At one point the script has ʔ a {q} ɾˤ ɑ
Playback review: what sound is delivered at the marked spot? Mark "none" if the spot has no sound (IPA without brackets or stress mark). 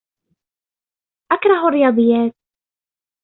k